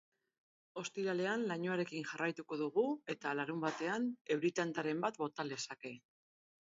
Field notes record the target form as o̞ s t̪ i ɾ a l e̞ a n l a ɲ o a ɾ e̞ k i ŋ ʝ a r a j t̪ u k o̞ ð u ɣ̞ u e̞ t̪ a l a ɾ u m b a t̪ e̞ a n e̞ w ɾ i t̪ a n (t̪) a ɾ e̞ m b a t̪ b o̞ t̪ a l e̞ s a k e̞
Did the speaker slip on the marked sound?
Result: no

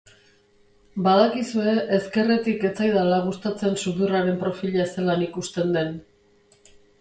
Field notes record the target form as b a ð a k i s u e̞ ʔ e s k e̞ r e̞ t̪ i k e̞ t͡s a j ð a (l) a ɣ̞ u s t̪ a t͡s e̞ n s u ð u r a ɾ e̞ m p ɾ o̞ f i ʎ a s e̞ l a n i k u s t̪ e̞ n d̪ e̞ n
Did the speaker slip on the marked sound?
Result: no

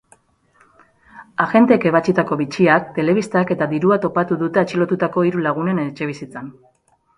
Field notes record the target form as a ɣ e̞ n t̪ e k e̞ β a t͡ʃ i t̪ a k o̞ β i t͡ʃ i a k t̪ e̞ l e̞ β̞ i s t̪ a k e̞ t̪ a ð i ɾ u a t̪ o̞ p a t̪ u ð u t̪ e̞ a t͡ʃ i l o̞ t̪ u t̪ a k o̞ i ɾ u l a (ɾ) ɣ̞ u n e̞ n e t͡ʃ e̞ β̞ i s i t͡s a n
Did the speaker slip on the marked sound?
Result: yes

